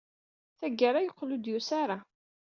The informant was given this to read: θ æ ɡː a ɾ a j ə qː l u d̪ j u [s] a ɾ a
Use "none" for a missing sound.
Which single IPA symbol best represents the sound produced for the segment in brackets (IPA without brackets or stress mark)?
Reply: s